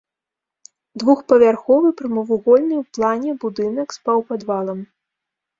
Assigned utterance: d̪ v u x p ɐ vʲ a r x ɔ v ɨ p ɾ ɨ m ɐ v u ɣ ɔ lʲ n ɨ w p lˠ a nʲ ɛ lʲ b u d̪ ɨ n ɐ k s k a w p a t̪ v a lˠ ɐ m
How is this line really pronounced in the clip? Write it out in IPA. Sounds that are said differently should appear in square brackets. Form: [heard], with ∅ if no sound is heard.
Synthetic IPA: d̪ v u x p ɐ vʲ a r x ɔ v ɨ p ɾ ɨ m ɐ v u ɣ ɔ lʲ n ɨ w p lˠ a nʲ ɛ [∅] b u d̪ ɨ n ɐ k s [p] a w p a [d̪] v a lˠ ɐ m